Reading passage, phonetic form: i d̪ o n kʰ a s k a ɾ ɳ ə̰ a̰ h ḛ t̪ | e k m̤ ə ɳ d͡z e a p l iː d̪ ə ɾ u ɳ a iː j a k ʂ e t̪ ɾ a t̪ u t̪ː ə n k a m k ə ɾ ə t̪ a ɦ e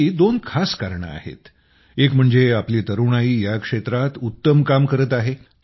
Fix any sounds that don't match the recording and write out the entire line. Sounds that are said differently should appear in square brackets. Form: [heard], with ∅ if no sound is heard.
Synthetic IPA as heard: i d̪ o n kʰ a s k a ɾ ɳ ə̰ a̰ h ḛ t̪ | e k m̤ ə ɳ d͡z e a p l iː [t̪] ə ɾ u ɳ a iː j a k ʂ e t̪ ɾ a t̪ u t̪ː ə [m] k a m k ə ɾ ə t̪ a ɦ e